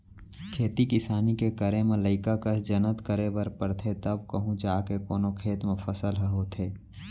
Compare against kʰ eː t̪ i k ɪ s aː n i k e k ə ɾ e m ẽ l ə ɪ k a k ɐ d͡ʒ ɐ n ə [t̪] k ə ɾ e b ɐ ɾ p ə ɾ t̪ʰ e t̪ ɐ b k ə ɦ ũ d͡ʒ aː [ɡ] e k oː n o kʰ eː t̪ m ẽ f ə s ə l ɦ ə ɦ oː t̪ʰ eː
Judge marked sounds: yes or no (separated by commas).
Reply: yes, no